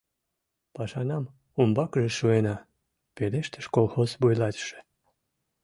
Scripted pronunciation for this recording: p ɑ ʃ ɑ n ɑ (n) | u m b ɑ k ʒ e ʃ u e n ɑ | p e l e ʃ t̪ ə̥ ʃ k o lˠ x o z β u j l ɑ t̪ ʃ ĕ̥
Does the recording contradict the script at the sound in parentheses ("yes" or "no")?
yes